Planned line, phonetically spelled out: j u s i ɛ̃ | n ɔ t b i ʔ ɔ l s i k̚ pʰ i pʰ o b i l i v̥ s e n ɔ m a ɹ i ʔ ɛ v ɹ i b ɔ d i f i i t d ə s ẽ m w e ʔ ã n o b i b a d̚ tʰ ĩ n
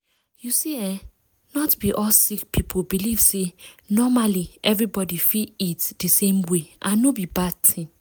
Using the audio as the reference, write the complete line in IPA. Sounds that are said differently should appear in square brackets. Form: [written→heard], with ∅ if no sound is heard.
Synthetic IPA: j u s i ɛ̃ | n ɔ t b i ʔ ɔ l s i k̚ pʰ i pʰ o b i l i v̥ s e n ɔ m a [ɹ→l] i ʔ ɛ v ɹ i b ɔ d i f i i t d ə s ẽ m w e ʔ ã n o b i b a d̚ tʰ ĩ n